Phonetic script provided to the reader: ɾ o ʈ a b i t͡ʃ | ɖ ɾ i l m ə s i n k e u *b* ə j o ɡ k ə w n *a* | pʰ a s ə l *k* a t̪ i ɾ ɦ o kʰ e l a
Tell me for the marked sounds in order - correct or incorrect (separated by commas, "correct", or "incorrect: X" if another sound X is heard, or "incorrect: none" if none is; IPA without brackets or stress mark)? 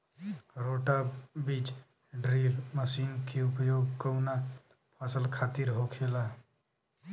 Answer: incorrect: p, correct, incorrect: kʰ